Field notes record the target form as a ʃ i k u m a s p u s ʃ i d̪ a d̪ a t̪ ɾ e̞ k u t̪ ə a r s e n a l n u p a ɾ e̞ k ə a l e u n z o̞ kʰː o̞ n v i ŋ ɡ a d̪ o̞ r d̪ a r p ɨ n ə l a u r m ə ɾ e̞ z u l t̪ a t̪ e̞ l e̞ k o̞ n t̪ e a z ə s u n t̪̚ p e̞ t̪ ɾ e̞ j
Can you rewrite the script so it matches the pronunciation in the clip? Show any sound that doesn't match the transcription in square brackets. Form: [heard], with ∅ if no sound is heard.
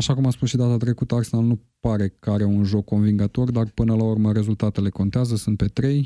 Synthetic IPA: a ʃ [a] k u m a s p u s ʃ i d̪ a [t̪] a t̪ ɾ e̞ k u t̪ ə a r s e n a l n u p a ɾ e̞ k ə a [ɾ] e u n [ʒ] o̞ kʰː o̞ n v i ŋ ɡ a [t̪] o̞ r d̪ a r p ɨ n ə l a u r m ə ɾ e̞ z u l t̪ a t̪ e̞ l e̞ k o̞ n t̪ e a z ə s u n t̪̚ p e̞ t̪ ɾ e̞ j